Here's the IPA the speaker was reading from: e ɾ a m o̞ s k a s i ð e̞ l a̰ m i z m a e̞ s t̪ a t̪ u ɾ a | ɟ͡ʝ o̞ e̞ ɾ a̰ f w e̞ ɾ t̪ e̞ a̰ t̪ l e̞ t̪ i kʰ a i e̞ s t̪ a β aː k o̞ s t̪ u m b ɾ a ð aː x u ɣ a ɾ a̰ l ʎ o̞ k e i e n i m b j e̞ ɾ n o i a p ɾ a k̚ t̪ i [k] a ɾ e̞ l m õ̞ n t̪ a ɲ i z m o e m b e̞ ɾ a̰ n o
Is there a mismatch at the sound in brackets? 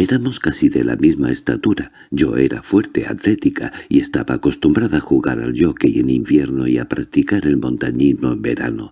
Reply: no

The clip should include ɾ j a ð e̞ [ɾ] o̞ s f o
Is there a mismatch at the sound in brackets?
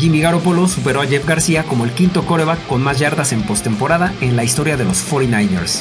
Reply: yes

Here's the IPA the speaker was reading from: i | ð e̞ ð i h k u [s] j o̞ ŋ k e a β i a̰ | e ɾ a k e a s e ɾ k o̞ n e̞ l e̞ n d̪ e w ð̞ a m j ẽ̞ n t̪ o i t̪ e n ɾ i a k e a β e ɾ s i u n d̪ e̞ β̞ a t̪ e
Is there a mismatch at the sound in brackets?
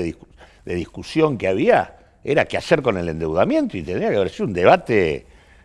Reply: no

